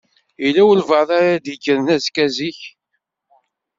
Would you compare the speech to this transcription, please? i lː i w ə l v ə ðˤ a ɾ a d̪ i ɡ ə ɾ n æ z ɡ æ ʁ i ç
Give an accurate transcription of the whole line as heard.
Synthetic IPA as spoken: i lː æ w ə l v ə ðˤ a ɾ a d̪ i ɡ ə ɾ n æ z k æ z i ç